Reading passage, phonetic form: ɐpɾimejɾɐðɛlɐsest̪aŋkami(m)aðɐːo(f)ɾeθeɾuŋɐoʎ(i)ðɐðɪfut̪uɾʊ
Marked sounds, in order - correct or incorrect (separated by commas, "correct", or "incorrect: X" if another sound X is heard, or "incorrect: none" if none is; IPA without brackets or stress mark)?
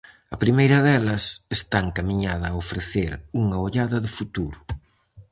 incorrect: ɲ, correct, incorrect: a